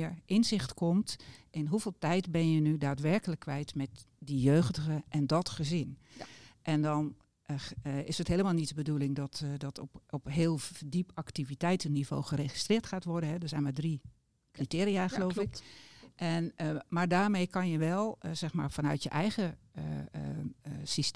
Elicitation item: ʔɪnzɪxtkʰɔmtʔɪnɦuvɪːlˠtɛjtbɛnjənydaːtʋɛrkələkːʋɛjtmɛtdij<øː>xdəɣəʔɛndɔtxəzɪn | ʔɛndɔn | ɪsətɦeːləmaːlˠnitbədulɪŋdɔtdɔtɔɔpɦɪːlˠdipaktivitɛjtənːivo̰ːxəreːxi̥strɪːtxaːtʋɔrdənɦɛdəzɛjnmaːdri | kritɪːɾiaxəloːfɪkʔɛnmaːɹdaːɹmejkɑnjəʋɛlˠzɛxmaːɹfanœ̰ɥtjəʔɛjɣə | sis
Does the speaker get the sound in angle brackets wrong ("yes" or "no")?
no